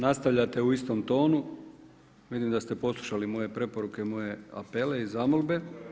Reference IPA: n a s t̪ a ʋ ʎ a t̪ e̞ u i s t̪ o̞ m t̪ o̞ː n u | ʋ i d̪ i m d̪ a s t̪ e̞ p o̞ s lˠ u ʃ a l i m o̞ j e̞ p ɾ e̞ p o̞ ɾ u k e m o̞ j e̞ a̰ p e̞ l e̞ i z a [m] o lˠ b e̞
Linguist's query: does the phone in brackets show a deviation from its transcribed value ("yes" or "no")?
no